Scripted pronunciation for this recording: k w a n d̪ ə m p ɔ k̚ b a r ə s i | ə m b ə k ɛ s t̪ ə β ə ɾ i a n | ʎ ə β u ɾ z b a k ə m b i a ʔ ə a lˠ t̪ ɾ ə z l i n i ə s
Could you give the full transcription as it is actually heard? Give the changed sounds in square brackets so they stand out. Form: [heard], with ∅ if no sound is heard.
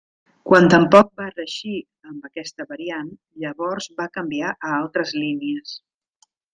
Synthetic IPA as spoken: k w a n [t̪] ə m p ɔ k̚ b a r ə [ʃ] i | ə m b ə k ɛ s t̪ ə β ə ɾ i a n | ʎ ə β [ɔ] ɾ z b a k ə m b i a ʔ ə a lˠ t̪ ɾ ə z l i n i ə s